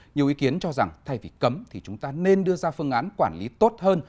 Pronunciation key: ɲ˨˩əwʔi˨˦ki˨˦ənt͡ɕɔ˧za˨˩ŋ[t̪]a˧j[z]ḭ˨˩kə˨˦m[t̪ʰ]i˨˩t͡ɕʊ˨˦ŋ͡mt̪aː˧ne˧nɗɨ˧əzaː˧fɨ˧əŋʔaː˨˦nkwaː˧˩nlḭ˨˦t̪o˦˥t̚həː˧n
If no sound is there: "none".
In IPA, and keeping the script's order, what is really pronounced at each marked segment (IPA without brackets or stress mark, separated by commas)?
t̪ʰ, v, t̪ʰ